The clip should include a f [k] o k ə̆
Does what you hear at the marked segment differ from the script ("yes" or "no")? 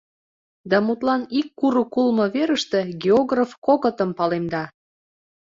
no